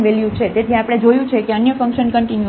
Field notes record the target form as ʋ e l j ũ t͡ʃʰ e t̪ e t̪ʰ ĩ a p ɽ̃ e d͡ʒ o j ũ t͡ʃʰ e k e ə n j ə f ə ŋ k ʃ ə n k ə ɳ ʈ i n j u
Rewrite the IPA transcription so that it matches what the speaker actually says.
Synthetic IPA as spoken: ʋ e l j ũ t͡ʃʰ e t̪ e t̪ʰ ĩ a p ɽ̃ e d͡ʒ o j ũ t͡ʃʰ e k e ə n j ə f ə ŋ k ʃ ə n k ə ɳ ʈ i n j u